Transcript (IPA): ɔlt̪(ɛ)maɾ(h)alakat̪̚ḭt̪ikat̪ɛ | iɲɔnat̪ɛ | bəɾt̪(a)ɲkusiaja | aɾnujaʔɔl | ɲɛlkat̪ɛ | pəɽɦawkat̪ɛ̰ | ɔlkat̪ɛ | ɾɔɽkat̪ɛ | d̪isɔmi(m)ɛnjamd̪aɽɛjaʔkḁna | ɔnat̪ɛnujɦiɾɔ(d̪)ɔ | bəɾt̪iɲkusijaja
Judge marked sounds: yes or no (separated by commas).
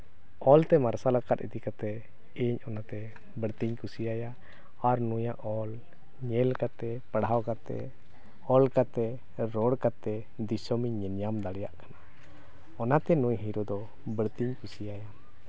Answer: yes, no, no, no, yes